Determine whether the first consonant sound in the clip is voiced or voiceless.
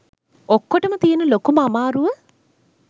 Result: voiceless